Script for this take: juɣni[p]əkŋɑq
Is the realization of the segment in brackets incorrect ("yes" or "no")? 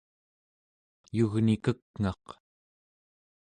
yes